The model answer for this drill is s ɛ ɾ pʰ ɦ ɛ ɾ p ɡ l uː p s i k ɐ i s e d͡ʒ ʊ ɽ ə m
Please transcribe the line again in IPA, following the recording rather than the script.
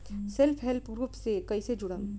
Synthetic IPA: s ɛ l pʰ ɦ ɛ l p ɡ ɾ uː p s e k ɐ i s e d͡ʒ ʊ ɽ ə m